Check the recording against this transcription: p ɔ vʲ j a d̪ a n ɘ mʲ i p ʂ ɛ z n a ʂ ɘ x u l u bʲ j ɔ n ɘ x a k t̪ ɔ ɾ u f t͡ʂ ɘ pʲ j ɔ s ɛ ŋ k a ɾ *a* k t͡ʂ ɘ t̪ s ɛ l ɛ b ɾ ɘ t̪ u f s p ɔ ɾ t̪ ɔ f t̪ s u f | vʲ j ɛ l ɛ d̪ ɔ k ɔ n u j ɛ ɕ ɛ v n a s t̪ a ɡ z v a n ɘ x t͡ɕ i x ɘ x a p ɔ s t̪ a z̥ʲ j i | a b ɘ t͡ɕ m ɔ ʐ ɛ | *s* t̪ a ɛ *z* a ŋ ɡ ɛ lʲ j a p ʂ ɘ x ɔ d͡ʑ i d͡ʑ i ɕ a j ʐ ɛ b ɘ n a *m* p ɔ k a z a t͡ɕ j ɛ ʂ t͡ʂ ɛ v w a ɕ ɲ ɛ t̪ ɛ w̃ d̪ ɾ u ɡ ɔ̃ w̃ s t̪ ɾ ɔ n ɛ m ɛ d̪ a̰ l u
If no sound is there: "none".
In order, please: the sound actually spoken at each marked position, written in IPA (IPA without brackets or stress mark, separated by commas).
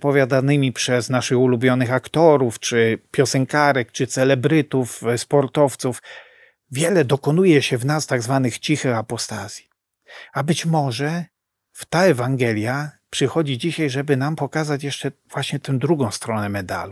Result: ɛ, f, v, m